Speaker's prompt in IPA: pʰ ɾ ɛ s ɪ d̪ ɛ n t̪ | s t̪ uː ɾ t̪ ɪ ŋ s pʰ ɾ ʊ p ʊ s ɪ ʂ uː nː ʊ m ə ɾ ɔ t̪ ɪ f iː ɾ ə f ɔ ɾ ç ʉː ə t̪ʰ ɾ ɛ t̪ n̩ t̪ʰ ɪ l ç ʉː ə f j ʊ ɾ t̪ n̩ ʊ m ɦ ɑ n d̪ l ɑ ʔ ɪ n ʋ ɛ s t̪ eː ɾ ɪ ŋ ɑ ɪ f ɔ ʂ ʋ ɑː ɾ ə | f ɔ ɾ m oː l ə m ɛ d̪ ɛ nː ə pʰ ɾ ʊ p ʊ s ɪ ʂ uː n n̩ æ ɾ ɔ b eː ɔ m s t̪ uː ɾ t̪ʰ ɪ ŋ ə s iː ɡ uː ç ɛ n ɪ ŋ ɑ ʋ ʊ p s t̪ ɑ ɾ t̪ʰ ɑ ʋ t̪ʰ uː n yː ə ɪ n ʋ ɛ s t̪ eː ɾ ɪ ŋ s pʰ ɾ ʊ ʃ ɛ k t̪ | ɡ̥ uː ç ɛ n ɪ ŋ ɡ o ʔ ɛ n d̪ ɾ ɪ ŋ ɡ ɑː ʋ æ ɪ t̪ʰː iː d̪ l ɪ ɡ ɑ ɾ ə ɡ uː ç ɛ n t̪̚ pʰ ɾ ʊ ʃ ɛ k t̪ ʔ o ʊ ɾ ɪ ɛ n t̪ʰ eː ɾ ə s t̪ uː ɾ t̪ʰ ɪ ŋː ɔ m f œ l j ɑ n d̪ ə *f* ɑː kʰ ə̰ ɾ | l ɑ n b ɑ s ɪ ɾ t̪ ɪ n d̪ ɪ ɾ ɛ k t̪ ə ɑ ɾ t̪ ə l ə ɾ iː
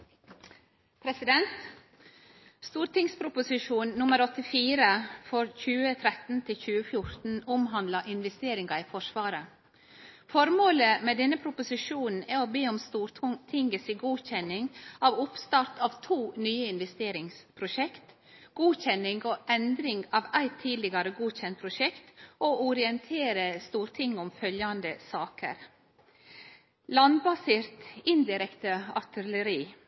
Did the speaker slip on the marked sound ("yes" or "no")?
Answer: yes